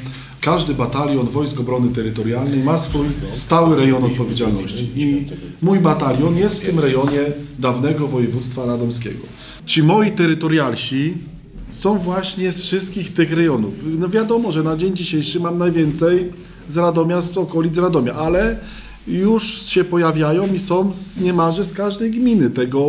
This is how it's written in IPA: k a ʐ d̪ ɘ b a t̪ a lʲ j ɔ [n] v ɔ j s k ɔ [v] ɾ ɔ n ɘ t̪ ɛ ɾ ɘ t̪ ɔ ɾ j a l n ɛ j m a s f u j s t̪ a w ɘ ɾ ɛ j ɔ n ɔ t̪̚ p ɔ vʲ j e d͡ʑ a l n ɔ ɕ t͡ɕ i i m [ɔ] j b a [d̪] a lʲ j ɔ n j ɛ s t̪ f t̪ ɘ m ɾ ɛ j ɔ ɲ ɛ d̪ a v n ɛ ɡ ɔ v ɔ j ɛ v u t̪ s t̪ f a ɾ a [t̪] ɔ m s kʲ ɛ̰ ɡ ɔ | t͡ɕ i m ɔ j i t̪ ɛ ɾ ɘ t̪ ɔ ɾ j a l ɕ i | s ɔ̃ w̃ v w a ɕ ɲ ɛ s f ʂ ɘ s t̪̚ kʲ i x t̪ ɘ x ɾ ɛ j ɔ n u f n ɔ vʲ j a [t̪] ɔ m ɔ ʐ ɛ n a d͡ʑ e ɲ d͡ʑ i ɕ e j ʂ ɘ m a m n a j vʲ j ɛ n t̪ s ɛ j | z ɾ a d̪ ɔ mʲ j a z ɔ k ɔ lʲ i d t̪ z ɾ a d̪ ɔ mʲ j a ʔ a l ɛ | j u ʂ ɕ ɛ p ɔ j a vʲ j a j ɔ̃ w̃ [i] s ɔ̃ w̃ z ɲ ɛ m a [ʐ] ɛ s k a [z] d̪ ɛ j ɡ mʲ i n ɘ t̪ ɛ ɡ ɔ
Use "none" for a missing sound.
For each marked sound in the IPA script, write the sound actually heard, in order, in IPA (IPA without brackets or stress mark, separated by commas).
n, b, u, t̪, d̪, d̪, i, ʐ, ʐ